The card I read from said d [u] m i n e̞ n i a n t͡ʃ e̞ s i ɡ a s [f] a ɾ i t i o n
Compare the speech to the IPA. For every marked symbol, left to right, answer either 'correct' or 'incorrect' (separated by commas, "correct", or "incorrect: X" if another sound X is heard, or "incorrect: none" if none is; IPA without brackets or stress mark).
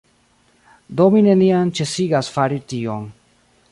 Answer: incorrect: o, correct